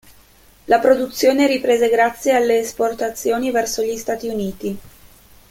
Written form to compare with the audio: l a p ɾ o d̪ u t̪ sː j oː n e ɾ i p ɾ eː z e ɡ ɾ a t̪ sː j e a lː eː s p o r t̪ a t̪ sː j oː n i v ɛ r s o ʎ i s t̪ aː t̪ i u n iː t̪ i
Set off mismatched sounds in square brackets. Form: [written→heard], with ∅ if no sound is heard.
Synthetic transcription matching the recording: l a p ɾ o d̪ u t̪ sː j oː n e ɾ i p ɾ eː z e ɡ ɾ a t̪ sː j e a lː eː s p o r t̪ a t̪ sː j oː n i v ɛ r s o ʎ i s t̪ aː t̪ i u n iː t̪ i